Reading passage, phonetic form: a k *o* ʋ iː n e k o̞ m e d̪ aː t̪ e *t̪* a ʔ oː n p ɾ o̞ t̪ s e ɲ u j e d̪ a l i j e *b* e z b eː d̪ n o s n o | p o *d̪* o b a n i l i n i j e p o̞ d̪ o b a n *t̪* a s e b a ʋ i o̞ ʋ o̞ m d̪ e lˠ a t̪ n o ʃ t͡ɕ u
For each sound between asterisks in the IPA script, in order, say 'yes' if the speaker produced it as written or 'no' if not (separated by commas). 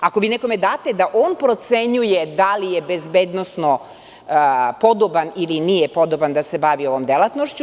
yes, no, yes, yes, no